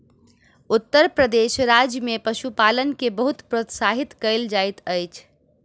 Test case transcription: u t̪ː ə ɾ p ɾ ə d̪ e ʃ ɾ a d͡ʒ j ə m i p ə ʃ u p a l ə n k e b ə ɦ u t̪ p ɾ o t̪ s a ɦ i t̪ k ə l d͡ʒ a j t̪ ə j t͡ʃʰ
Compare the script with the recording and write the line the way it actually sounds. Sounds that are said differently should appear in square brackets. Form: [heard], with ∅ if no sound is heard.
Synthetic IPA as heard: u t̪ː ə ɾ p ɾ ə d̪ e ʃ ɾ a d͡ʒ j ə m [e] p ə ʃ u p a l ə n k e b ə ɦ u t̪ p ɾ o t̪ s a ɦ i t̪ k ə l d͡ʒ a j t̪ ə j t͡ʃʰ